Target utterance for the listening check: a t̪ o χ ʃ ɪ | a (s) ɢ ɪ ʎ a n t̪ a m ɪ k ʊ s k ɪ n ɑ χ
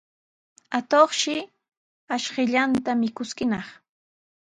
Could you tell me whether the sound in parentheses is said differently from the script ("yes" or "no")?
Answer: yes